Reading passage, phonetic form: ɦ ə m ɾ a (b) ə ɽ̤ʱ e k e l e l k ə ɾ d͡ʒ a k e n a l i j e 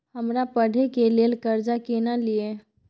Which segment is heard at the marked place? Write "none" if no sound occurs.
p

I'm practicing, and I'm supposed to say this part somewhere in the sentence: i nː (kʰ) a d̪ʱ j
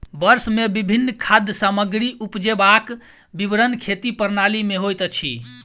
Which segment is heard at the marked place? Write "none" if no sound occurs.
kʰ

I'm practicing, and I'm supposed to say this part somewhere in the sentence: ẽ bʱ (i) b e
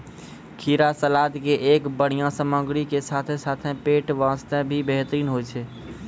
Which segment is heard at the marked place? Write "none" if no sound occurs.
i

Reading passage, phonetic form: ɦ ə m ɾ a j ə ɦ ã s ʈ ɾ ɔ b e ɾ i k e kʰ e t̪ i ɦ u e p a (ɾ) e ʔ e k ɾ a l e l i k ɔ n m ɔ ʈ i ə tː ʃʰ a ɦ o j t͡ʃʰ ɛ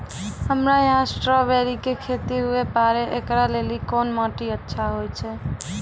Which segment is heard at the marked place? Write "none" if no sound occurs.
ɾ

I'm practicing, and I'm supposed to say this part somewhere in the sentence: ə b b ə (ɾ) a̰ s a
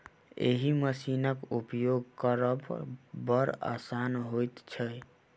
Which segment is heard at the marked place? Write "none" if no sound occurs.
ɾ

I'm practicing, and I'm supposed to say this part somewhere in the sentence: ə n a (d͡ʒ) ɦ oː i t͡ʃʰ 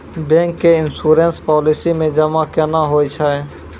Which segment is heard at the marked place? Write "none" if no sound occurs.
none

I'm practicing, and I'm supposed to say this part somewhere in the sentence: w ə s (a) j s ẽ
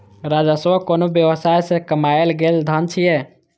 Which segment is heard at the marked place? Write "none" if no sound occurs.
a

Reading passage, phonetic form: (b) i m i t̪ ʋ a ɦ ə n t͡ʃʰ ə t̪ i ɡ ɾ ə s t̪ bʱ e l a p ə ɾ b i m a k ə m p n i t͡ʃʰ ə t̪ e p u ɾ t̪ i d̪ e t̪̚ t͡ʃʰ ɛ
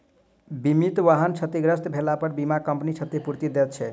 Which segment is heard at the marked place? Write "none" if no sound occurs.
b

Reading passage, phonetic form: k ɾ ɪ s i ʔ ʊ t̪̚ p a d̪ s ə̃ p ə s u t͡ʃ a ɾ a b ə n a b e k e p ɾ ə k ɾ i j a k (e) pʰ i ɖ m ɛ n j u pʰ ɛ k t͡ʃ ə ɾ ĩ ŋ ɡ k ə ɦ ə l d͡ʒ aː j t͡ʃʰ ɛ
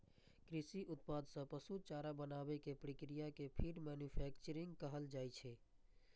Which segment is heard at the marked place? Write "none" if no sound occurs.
e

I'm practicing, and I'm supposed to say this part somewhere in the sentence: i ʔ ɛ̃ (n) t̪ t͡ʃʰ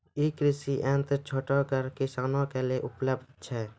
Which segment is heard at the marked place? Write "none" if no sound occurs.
n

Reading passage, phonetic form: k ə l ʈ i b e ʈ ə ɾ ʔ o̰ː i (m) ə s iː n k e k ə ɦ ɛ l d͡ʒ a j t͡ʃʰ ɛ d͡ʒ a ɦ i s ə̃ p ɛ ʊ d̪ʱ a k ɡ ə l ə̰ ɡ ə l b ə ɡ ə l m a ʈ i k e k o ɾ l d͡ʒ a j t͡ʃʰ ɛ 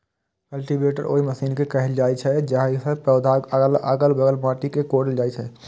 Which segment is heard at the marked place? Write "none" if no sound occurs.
m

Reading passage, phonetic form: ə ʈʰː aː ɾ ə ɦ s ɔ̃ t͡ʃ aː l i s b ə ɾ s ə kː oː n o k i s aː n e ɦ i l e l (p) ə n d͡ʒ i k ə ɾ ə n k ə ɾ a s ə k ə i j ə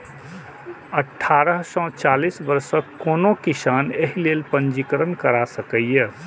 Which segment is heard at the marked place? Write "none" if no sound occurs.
p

